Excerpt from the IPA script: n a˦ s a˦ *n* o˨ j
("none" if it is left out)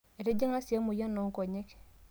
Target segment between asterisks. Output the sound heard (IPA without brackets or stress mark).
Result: m